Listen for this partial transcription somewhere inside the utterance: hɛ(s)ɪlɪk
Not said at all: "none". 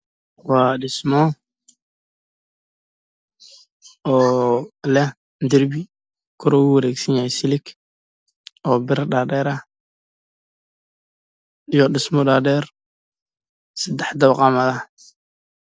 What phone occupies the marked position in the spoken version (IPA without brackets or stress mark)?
s